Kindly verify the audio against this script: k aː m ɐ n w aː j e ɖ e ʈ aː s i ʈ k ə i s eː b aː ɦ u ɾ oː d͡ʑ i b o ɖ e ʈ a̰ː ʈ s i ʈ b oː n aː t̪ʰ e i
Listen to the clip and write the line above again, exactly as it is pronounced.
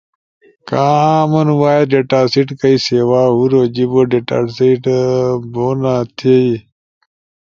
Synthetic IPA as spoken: k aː m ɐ n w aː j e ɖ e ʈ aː s i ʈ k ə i s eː w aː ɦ u ɾ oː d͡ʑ i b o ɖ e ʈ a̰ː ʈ s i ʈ b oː n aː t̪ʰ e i

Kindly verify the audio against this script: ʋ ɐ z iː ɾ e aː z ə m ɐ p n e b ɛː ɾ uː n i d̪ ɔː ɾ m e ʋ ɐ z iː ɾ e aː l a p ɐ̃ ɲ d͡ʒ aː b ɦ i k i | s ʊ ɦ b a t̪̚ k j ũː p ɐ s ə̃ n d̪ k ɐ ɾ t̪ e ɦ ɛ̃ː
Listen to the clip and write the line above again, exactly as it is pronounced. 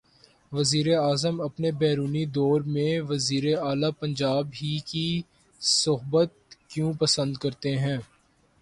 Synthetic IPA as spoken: ʋ ɐ z iː ɾ e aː z ə m ɐ p n e b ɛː ɾ uː n i d̪ ɔː ɾ m ẽ ʋ ɐ z iː ɾ e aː l a p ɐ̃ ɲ d͡ʒ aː b ɦ i k i | s ʊ ɦ b ə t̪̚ k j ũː p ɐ s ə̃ n d̪ k ɐ ɾ t̪ e ɦ ɛ̃ː

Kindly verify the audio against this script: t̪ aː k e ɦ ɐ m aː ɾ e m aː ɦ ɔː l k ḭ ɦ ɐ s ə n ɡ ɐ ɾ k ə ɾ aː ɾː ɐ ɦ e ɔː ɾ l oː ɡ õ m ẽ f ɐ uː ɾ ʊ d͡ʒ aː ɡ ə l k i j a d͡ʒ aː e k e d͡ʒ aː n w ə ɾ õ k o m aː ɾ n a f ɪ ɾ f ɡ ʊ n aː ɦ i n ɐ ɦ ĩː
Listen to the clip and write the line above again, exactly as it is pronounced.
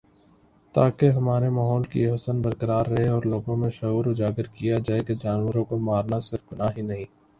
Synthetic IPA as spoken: t̪ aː k e ɦ ɐ m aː ɾ e m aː ɦ ɔː l k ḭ ɦ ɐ s ə n b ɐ ɾ k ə ɾ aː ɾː ɐ ɦ e ɔː ɾ l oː ɡ õ m ẽ ʃ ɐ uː ɾ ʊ d͡ʒ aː ɡ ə ɾ k i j a d͡ʒ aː e k e d͡ʒ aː n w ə ɾ õ k o m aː ɾ n a s ɪ ɾ f ɡ ʊ n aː ɦ i n ɐ ɦ ĩː

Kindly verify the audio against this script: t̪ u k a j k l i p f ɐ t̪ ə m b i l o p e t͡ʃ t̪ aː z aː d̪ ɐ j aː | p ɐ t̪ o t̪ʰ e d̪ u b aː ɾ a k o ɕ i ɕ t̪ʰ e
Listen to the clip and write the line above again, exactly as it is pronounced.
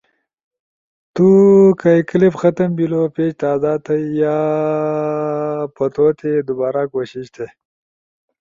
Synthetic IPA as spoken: t̪ u k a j k l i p x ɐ t̪ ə m b i l o p e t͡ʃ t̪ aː z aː t̪ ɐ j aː | p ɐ t̪ o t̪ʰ e d̪ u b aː ɾ a k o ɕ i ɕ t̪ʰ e

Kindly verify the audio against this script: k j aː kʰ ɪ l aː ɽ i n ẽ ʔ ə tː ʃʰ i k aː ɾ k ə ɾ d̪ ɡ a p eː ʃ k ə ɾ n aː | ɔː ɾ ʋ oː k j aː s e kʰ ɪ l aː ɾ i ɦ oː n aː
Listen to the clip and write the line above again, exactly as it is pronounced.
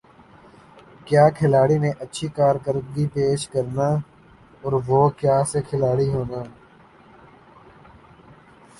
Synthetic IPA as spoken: k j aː kʰ ɪ l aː ɽ i n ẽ ʔ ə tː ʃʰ i k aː ɾ k ə ɾ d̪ ɡ i p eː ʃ k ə ɾ n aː | ɔː ɾ ʋ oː k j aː s e kʰ ɪ l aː ɽ i ɦ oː n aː

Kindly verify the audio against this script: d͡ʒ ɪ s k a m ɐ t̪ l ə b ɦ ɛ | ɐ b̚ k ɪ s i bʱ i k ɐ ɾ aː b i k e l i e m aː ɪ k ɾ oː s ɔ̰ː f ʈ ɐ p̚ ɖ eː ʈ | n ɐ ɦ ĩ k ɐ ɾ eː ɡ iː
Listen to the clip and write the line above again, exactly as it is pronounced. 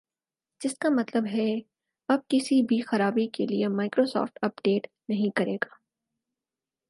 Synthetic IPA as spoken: d͡ʒ ɪ s k a m ɐ t̪ l ə b ɦ ɛ | ɐ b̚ k ɪ s i bʱ i x ɐ ɾ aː b i k e l i e m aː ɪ k ɾ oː s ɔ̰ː f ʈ ɐ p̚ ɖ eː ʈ | n ɐ ɦ ĩ k ɐ ɾ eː ɡ aː

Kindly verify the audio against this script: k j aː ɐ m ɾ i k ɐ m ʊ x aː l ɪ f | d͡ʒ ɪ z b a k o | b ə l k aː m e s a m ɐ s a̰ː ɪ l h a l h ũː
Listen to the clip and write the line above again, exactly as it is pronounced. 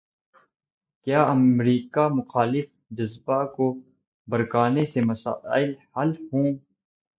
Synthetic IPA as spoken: k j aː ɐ m ɾ iː k a m ʊ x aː l ɪ f | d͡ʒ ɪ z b a k o | b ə ɾ k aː n e s e m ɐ s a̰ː ɪ l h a l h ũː

